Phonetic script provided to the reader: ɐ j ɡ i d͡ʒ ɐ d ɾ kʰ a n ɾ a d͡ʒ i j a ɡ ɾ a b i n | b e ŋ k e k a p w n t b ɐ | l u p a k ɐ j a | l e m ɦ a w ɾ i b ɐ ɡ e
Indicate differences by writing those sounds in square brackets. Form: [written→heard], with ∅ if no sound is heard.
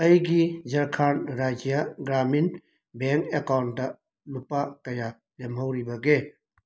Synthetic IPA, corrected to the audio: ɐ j ɡ i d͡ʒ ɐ [d→∅] ɾ kʰ a n ɾ a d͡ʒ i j a ɡ ɾ a [b→m] i n | b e ŋ k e k a [p→∅] w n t [b→d] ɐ | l u p a k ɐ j a | l e m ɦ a w ɾ i b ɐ ɡ e